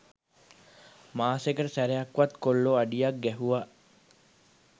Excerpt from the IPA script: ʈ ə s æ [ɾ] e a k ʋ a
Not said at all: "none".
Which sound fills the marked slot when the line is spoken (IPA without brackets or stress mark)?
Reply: ɾ